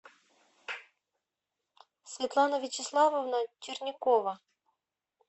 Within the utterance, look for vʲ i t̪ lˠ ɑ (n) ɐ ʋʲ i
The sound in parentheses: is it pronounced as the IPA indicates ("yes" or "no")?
yes